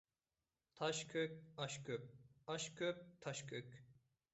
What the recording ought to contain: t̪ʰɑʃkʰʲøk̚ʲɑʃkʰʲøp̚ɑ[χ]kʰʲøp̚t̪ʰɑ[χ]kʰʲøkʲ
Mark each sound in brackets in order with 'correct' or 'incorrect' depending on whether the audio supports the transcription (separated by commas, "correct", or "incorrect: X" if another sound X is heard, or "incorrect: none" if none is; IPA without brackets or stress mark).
incorrect: ʃ, incorrect: ʃ